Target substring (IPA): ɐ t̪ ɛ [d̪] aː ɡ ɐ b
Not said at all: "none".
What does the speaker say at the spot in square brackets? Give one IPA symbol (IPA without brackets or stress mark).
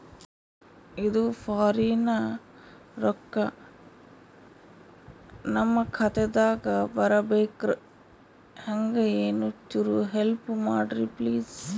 d̪